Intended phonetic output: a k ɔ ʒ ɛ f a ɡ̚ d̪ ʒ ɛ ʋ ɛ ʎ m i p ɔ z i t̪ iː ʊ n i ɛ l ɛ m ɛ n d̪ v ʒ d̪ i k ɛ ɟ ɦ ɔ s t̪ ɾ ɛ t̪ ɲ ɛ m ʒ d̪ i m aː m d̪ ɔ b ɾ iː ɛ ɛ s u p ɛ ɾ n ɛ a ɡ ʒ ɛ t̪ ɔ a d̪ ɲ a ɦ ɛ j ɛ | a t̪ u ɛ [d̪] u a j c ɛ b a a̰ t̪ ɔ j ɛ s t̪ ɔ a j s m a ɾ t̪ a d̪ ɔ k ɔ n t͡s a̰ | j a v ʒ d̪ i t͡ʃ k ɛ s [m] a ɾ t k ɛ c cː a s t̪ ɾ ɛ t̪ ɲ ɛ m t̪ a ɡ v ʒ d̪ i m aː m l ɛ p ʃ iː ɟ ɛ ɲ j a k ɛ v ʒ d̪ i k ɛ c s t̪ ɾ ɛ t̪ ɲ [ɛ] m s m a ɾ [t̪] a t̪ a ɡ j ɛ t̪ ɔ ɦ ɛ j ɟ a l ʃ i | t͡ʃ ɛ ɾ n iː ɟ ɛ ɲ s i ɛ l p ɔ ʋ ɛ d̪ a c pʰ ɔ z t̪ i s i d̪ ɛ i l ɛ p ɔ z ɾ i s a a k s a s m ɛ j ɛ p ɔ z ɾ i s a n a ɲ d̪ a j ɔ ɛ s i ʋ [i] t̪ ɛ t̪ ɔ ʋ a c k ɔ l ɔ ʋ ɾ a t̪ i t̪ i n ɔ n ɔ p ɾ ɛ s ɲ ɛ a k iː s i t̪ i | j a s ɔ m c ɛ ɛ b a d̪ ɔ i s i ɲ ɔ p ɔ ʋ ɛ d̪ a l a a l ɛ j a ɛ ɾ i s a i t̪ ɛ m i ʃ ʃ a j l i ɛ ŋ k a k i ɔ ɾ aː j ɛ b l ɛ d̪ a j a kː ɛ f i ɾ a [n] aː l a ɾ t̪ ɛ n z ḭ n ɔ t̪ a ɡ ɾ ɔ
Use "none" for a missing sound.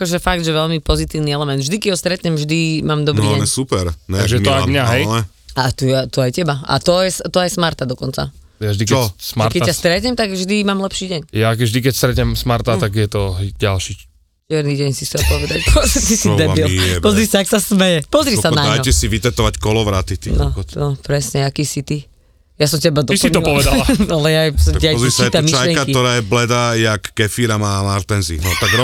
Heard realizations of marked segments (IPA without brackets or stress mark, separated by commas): t̪, m, ɛ, t̪, i, m